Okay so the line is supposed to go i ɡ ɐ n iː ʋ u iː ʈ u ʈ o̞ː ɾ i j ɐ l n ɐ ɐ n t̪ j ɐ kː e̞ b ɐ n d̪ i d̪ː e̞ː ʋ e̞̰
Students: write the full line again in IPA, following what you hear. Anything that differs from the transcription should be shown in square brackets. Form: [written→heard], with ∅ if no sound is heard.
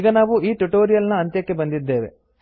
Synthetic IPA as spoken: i ɡ ɐ n [iː→aː] ʋ u iː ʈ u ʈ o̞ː ɾ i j ɐ l n ɐ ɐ n t̪ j ɐ kː e̞ b ɐ n d̪ i d̪ː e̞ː ʋ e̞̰